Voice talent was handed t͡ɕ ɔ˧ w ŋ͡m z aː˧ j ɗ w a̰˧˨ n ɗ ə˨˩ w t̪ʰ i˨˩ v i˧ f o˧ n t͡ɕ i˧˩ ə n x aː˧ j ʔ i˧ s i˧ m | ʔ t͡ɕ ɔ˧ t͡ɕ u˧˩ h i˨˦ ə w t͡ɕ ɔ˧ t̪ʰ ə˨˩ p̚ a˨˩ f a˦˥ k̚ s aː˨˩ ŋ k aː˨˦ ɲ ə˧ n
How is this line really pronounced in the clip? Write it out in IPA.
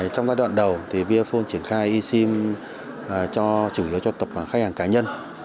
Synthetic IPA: t͡ɕ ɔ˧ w ŋ͡m z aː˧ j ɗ w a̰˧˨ n ɗ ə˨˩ w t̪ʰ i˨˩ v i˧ f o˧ n t͡ɕ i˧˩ ə n x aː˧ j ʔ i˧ s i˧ m | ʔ t͡ɕ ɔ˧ t͡ɕ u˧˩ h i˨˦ ə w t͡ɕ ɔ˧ t̪ ə˨˩ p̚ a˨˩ x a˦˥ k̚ h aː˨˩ ŋ k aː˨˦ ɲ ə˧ n